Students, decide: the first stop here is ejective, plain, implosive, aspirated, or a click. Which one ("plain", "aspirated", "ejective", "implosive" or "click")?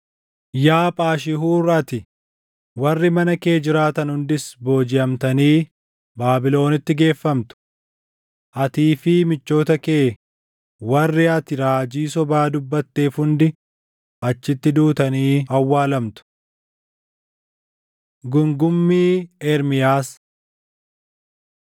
ejective